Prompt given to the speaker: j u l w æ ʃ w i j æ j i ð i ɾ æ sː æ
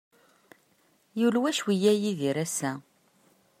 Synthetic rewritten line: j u l w æ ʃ w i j æ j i ð i ɾ æ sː æ